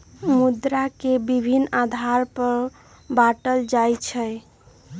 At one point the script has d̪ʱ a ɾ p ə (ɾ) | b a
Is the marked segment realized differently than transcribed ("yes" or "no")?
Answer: no